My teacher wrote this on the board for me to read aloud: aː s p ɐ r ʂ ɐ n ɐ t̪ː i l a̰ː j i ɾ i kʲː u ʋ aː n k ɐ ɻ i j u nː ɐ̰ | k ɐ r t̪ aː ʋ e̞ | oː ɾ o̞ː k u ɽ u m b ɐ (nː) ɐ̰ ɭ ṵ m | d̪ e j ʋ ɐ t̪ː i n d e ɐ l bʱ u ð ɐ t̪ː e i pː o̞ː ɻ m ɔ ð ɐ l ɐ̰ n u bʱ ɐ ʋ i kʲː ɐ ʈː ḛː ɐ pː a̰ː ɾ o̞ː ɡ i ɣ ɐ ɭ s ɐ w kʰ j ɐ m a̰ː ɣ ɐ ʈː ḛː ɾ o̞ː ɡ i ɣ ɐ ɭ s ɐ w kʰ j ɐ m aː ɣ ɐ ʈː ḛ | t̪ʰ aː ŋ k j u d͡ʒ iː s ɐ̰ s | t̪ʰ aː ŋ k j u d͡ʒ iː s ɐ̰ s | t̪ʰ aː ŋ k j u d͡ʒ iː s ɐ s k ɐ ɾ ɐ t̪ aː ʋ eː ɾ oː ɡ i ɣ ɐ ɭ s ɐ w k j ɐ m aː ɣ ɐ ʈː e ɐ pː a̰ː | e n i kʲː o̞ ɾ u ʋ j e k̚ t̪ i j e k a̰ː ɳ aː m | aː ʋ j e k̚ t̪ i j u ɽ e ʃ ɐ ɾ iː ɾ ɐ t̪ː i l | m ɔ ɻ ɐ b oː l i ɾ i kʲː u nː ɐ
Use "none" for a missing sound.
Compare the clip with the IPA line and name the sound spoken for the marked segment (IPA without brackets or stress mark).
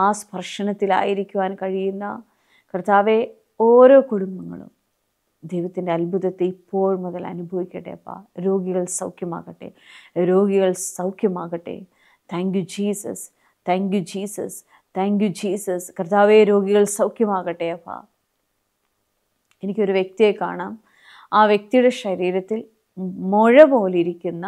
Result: ŋː